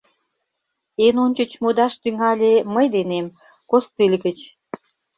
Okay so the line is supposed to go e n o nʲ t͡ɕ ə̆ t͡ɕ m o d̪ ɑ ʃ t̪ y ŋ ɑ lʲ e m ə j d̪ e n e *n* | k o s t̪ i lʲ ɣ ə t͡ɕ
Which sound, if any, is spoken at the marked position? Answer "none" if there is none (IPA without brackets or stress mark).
m